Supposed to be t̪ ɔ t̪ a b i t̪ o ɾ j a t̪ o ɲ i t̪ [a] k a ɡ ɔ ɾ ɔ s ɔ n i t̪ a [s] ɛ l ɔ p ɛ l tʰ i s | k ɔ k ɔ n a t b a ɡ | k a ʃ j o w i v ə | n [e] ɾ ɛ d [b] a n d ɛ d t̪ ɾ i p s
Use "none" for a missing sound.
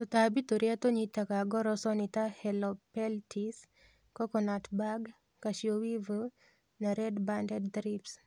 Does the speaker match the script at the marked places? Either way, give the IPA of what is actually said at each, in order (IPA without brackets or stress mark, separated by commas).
a, h, a, b